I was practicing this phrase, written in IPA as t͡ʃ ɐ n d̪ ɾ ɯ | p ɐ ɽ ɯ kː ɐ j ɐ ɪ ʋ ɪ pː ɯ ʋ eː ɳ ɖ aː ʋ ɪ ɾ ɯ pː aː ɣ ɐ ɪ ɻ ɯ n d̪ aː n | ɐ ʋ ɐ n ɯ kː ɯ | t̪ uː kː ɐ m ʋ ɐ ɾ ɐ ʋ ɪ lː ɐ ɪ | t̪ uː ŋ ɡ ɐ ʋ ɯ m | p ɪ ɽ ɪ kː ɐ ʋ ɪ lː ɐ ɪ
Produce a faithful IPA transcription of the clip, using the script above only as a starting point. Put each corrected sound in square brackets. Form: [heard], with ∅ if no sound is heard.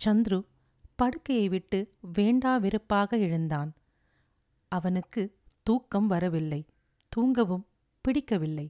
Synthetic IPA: t͡ʃ ɐ n d̪ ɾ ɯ | p ɐ ɽ ɯ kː ɐ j ɐ ɪ ʋ ɪ [ʈː] ɯ ʋ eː ɳ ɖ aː ʋ ɪ ɾ ɯ pː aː ɣ ɐ ɪ ɻ ɯ n d̪ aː n | ɐ ʋ ɐ n ɯ kː ɯ | t̪ uː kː ɐ m ʋ ɐ ɾ ɐ ʋ ɪ lː ɐ ɪ | t̪ uː ŋ ɡ ɐ ʋ ɯ m | p ɪ ɽ ɪ kː ɐ ʋ ɪ lː ɐ ɪ